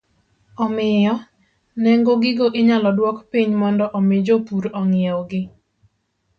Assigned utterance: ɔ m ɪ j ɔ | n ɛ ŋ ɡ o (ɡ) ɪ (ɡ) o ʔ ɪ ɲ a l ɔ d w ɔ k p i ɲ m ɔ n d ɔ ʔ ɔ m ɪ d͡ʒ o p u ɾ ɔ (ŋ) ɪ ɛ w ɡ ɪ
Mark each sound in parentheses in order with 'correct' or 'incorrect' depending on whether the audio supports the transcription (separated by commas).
correct, correct, correct